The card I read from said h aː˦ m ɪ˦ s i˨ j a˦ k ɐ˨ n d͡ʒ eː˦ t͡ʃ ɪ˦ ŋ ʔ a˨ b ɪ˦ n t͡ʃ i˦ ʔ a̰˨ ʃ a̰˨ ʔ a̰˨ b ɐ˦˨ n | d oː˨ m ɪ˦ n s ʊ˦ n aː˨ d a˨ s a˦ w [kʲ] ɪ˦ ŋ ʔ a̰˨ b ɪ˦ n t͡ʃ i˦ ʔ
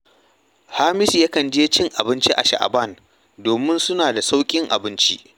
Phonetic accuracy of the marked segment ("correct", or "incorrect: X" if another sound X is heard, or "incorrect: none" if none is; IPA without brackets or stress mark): incorrect: kʲʼ